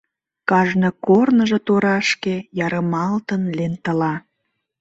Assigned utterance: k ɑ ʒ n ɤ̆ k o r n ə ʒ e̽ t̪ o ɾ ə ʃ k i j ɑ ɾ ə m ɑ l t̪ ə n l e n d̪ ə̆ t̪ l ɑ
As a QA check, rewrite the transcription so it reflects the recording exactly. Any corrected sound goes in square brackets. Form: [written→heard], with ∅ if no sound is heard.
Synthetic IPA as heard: k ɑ ʒ n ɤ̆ k o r n ə ʒ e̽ t̪ o ɾ [ə→ɑ] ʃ k [i→e] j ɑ ɾ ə m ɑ l t̪ ə n l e n [d̪→t̪] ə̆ [t̪→∅] l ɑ